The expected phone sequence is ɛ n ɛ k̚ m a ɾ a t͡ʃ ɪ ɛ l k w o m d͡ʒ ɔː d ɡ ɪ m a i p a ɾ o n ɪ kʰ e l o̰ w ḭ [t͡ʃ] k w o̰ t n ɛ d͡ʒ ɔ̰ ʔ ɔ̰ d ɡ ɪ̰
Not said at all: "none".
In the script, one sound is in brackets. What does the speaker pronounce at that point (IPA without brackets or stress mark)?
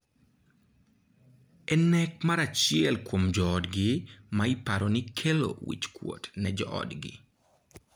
t͡ʃ